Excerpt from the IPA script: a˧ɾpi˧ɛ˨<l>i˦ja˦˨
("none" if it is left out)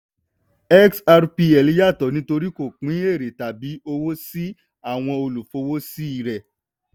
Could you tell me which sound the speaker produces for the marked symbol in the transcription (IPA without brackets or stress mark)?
l